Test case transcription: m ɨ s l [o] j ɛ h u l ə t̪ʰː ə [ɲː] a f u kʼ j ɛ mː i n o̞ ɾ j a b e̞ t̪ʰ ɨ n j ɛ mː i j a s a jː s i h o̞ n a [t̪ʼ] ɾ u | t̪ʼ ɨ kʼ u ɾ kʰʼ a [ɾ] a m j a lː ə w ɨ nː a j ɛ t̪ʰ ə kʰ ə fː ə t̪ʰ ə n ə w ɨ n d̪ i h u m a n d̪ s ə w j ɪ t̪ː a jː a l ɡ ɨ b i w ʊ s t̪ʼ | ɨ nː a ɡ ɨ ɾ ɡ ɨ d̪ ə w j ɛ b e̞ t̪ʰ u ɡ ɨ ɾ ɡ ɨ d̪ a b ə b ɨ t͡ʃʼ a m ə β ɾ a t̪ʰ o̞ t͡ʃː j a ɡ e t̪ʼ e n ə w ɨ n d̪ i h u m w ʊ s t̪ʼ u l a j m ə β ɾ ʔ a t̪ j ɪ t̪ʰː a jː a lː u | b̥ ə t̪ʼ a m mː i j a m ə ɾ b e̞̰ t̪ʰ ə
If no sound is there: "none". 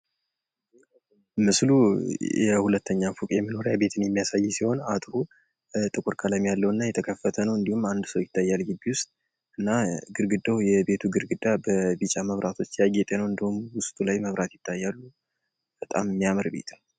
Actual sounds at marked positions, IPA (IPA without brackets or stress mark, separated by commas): u, ɲː, t̪ʼ, l